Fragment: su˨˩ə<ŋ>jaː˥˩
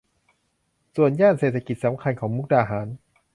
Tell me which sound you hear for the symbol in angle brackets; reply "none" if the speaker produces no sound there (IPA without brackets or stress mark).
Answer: n